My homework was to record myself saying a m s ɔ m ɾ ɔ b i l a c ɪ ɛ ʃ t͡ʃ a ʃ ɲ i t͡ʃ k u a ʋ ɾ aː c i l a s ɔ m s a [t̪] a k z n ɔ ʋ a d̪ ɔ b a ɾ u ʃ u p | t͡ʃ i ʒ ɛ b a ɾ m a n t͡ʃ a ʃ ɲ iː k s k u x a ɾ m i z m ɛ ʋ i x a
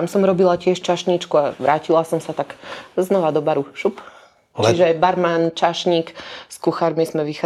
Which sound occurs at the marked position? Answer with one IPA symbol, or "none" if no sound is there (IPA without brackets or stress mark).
t̪